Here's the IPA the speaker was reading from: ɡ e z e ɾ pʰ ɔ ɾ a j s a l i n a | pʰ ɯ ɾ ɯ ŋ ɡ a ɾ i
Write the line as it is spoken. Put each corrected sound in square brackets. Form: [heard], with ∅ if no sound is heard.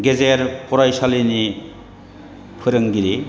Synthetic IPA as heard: ɡ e z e ɾ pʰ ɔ ɾ a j s a l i n [i] | pʰ ɯ ɾ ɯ ŋ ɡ [i] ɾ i